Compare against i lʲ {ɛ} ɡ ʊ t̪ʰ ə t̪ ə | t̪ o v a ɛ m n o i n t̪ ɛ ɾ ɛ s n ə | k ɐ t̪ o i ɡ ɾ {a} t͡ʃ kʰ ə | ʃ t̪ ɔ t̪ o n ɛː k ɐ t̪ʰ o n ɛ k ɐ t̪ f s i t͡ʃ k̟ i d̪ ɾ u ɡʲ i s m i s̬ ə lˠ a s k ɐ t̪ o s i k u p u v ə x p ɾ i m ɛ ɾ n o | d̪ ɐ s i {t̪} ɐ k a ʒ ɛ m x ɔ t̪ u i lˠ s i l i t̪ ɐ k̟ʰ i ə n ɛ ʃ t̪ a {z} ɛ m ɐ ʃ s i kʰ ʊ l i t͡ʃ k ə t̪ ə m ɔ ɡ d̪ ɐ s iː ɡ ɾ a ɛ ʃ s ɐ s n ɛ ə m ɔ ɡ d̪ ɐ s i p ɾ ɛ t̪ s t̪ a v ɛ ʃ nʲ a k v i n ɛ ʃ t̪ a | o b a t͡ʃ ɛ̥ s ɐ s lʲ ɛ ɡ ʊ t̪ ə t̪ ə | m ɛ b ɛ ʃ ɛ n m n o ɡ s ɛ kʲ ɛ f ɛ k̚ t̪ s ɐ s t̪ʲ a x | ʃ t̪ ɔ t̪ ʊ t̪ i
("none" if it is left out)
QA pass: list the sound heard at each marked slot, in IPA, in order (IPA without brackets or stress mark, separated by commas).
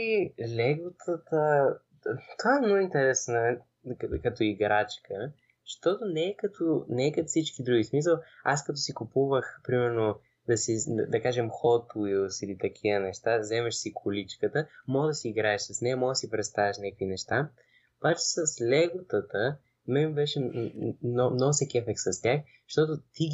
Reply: ɛ, a, d̪, z